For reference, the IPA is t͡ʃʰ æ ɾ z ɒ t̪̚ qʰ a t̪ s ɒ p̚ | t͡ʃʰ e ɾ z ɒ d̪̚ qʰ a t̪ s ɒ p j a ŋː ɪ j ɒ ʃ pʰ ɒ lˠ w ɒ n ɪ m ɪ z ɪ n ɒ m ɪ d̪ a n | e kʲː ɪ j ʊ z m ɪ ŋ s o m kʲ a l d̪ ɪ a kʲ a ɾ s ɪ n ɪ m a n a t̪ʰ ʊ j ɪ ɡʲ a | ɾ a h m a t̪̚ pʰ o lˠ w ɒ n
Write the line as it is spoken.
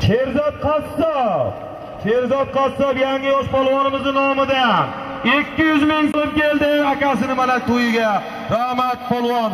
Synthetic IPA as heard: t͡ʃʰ e ɾ z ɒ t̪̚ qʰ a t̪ s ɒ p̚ | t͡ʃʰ e ɾ z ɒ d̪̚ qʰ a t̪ s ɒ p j a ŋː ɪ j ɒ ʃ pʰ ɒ lˠ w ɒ n ɪ m ɪ z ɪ n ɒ m ɪ d̪ a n | e kʲː ɪ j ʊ z m ɪ ŋ s o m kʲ e l d̪ ɪ a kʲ a s ɪ n ɪ m a n a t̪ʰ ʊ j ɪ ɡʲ a | ɾ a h m a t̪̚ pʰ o lˠ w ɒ n